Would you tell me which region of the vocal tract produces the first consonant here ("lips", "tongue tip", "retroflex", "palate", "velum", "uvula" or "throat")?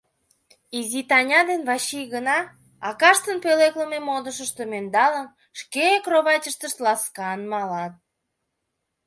tongue tip